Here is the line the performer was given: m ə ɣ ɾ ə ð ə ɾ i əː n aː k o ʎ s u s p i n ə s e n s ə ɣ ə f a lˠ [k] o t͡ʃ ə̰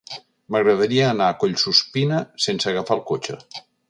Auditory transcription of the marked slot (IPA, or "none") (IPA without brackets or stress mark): k